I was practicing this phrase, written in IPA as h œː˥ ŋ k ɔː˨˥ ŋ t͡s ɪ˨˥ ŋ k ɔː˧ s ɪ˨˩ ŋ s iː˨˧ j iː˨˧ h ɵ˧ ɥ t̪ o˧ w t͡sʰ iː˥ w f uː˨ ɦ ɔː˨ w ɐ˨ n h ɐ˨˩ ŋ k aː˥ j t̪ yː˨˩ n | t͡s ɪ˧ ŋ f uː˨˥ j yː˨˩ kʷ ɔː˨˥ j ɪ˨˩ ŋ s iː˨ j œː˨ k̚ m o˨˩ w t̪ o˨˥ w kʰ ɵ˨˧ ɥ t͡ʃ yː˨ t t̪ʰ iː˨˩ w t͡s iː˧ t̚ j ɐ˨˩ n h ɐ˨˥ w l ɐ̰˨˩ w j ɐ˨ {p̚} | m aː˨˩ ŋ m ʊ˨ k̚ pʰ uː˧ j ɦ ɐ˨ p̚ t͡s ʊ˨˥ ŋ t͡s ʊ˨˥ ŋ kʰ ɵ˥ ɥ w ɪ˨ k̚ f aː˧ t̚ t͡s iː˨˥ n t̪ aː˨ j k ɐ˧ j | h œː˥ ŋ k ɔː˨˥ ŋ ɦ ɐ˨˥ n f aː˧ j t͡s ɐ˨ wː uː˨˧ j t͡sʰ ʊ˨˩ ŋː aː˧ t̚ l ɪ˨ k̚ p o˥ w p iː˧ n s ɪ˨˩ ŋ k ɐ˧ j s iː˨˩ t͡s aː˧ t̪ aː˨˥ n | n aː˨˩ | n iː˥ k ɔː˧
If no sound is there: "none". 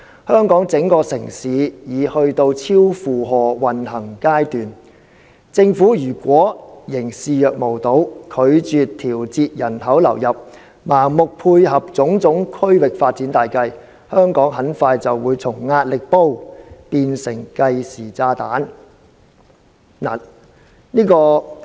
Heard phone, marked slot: p̚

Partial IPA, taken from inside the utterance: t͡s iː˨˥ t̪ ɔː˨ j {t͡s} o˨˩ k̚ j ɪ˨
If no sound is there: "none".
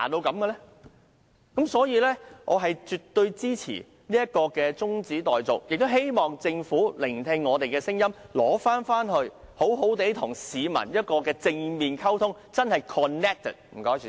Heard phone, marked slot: t͡s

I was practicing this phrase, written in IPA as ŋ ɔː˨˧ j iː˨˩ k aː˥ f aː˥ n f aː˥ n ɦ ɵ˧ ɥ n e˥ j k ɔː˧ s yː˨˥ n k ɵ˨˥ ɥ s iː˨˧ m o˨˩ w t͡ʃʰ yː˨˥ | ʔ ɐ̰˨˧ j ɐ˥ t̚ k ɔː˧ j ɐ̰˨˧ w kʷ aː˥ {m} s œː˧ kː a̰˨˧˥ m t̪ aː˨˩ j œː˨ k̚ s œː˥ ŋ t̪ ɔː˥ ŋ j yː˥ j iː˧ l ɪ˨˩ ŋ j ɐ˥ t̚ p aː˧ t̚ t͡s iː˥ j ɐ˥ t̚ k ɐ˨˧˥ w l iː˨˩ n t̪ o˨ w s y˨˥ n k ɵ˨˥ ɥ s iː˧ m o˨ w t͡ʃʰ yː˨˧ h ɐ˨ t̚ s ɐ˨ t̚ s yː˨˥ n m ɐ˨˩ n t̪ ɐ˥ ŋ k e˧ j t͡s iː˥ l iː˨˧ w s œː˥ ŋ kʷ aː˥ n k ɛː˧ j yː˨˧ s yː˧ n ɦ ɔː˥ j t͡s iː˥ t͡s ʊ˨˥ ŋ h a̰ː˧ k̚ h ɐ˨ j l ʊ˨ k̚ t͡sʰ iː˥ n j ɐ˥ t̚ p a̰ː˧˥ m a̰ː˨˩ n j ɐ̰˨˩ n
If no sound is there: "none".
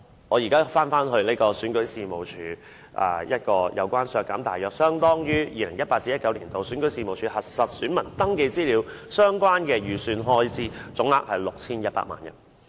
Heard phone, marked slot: n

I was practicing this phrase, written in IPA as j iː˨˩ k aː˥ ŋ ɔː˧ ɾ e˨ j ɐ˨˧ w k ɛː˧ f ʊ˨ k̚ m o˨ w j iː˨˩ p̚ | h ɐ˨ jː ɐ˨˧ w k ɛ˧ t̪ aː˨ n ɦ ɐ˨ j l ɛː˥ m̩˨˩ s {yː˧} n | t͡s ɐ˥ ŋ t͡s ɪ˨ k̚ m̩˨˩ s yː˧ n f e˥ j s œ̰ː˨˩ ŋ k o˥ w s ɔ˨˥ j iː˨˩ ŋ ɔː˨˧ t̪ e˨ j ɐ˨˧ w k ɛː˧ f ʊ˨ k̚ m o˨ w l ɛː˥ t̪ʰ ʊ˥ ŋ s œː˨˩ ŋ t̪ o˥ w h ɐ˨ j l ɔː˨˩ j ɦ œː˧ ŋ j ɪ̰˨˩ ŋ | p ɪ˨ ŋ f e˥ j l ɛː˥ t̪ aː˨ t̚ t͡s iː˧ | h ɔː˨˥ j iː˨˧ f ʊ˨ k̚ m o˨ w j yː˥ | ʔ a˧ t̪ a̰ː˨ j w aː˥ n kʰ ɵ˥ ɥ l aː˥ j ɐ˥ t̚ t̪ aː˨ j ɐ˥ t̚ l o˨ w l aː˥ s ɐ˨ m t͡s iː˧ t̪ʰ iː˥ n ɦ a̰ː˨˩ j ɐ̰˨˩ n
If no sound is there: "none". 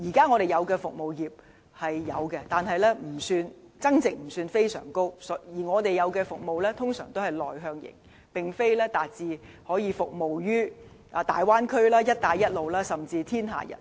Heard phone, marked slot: yː˧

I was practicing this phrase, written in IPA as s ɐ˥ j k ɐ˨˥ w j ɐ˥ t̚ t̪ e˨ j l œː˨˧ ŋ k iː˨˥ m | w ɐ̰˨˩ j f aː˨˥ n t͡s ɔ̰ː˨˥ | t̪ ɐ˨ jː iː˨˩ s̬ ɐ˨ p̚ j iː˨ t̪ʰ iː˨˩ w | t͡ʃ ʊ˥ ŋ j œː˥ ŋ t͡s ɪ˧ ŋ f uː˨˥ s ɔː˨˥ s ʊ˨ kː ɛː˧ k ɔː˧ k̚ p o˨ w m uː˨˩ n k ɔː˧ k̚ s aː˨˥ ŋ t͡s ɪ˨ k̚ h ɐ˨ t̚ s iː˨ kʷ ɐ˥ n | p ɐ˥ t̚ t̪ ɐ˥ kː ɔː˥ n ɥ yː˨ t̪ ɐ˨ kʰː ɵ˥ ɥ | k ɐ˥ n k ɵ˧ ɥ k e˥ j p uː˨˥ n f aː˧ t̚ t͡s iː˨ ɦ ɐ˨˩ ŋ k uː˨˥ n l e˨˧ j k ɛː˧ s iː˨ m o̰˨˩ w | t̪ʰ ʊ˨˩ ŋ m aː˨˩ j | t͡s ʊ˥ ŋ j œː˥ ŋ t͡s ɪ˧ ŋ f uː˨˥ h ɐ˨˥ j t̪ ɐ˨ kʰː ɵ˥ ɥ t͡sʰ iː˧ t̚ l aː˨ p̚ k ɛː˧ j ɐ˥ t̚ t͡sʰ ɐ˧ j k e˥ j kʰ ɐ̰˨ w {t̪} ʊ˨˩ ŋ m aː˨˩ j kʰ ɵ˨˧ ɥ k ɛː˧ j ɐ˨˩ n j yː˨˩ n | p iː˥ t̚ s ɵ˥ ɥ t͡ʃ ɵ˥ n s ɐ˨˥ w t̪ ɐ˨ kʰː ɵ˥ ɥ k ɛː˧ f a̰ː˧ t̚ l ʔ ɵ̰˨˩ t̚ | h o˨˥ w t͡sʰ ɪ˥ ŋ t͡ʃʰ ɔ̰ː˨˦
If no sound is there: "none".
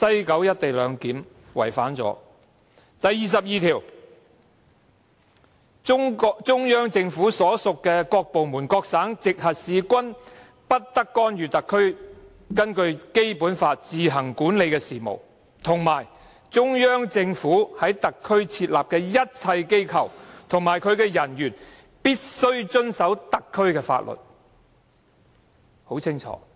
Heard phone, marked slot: t̪ʰ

